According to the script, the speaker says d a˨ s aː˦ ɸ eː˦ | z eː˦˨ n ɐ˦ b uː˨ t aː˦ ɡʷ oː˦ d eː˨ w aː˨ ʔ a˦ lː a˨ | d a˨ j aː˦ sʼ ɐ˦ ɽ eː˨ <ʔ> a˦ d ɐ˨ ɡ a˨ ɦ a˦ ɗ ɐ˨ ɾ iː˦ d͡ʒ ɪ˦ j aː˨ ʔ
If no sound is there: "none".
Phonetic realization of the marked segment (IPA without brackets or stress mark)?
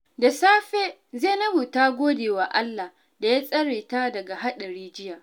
t